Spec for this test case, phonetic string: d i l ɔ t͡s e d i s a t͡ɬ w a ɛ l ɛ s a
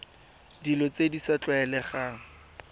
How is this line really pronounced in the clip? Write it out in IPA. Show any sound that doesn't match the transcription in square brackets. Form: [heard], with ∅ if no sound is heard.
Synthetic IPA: d i l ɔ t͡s e d i s a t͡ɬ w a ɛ l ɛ [χ] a

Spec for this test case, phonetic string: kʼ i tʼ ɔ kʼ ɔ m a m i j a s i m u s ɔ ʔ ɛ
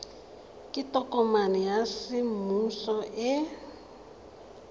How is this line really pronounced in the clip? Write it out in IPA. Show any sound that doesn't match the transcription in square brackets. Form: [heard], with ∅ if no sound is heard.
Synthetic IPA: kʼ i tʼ ɔ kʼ ɔ m a [n] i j a s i m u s ɔ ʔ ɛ

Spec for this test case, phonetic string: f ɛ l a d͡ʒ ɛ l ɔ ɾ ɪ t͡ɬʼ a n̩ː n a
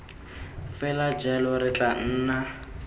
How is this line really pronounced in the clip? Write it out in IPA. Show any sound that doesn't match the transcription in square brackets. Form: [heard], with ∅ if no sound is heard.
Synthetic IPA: f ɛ l a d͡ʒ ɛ l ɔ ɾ ɪ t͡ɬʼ a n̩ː n a

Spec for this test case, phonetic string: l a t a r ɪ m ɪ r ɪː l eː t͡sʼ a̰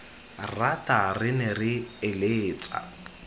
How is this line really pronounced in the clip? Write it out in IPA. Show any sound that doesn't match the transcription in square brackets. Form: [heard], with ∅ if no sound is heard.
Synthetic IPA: [r] a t a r ɪ [n] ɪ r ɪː l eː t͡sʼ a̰

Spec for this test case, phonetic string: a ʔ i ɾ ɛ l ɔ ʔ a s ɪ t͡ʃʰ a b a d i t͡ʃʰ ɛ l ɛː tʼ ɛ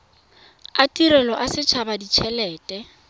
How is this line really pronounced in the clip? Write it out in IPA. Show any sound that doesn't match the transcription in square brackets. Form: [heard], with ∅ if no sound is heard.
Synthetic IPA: a [t] i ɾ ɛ l ɔ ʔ a s ɪ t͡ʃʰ a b a d i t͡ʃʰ ɛ l ɛː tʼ ɛ

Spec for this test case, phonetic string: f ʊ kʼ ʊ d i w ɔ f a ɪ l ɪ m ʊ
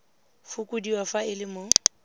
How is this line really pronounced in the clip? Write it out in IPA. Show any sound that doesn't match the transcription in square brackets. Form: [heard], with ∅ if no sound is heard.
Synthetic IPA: f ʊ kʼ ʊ d i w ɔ f a ɪ l ɪ m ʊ

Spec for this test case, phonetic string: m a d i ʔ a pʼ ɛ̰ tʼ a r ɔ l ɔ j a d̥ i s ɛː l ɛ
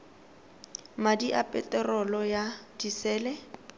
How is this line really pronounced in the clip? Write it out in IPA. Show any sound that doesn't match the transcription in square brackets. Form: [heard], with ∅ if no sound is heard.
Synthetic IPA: m a d i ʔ a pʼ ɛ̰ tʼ [ɛ] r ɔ l ɔ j a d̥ i s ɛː l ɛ

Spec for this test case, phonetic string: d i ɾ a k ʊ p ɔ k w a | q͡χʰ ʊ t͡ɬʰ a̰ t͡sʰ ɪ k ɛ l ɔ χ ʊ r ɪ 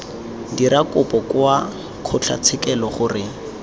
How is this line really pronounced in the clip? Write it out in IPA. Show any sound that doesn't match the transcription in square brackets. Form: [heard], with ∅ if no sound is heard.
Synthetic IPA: d i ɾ a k ʊ p ɔ k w a | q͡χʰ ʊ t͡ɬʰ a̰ t͡sʰ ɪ k ɛ l ɔ χ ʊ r ɪ

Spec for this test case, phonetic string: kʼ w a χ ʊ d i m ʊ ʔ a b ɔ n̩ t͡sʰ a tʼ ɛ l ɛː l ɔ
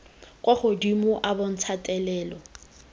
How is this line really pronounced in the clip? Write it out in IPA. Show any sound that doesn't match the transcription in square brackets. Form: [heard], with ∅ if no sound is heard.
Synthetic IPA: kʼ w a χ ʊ d i m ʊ ʔ a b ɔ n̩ t͡sʰ a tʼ ɛ l ɛː l ɔ

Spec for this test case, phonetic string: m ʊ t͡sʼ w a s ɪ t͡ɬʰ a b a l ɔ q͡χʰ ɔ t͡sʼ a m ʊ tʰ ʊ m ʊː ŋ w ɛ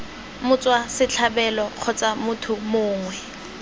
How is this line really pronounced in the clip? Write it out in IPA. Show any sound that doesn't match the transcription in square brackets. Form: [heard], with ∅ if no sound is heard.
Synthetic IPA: m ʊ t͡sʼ w a s ɪ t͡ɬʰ a b [ɛ] l ɔ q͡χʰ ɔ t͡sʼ a m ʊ tʰ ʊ m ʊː ŋ w ɛ

